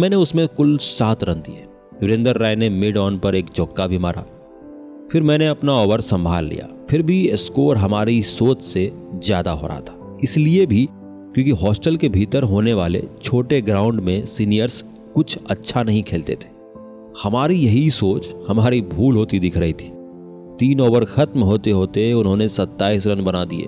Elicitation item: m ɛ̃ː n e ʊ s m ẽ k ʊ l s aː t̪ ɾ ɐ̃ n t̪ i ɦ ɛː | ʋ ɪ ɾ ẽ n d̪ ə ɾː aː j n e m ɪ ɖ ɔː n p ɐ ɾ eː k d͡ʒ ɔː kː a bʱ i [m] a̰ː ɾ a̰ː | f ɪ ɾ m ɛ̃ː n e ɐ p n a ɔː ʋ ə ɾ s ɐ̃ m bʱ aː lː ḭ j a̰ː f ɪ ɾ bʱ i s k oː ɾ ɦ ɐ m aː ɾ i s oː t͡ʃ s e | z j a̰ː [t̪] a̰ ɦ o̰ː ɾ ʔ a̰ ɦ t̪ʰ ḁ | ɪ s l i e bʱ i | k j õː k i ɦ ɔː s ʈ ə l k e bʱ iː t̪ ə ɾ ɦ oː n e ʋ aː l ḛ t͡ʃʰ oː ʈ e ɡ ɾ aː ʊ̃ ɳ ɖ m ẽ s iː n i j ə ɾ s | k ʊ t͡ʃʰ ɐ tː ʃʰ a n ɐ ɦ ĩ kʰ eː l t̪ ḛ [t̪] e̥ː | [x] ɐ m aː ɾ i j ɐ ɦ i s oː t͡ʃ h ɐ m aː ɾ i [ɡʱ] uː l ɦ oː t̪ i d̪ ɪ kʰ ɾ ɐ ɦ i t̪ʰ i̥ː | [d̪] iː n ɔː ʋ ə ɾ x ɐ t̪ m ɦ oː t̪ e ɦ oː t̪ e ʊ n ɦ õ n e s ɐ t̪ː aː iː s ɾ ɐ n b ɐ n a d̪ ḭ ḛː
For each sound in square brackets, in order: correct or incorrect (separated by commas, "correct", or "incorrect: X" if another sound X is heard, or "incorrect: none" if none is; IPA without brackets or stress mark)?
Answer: correct, incorrect: d̪, incorrect: t̪ʰ, incorrect: h, incorrect: bʱ, incorrect: t̪